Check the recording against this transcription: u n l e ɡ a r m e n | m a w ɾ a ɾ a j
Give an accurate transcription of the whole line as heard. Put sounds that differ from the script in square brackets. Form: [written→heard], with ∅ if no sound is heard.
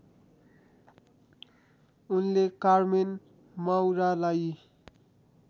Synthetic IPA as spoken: u n l e [ɡ→k] a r m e n | m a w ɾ a [ɾ→l] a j